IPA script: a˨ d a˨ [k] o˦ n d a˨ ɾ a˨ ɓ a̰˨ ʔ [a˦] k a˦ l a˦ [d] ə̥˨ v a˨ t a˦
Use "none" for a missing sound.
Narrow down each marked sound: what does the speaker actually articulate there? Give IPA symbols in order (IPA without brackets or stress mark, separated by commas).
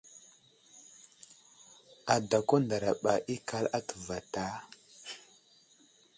k, i˦, t